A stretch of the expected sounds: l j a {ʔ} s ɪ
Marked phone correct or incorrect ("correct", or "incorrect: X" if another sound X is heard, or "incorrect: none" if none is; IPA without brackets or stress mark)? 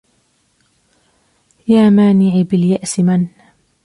correct